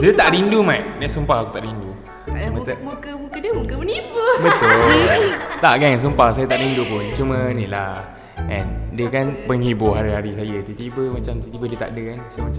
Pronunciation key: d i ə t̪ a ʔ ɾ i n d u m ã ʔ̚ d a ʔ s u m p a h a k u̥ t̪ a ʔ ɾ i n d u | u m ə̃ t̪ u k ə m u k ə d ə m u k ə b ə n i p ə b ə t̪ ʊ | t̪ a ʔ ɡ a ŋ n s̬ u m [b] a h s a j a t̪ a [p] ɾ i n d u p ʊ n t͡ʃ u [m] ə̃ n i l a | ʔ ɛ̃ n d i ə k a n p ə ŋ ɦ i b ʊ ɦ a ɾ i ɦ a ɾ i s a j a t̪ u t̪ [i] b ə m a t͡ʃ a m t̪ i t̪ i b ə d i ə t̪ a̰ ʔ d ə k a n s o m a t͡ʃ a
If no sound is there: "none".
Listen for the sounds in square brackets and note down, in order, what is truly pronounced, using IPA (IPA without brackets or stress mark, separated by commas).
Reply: p, ʔ, m, i